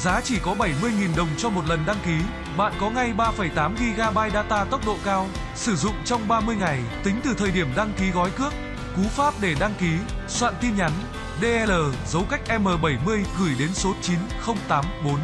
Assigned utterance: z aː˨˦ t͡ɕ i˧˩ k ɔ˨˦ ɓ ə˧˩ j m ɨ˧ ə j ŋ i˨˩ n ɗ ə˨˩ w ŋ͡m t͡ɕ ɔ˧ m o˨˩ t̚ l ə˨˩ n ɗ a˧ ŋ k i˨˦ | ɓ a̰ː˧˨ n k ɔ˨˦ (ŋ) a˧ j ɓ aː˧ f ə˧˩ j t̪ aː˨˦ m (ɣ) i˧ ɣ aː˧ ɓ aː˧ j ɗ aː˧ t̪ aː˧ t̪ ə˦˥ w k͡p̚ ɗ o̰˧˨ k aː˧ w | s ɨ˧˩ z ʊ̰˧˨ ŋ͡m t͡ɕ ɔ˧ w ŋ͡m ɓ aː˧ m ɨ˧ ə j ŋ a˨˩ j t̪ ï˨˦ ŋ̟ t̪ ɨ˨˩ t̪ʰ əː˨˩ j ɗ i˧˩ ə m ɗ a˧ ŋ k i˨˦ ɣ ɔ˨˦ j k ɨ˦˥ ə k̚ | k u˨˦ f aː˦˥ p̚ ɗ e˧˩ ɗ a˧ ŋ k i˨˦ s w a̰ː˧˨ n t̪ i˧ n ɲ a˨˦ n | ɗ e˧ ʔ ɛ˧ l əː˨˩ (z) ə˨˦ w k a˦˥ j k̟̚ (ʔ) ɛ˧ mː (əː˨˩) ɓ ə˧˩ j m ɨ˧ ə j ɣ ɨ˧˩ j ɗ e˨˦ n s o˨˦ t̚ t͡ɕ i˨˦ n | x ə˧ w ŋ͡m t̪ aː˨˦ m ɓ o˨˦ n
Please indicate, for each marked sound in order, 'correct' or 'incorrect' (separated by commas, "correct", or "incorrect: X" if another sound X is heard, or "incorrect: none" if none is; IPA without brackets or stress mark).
correct, correct, correct, correct, correct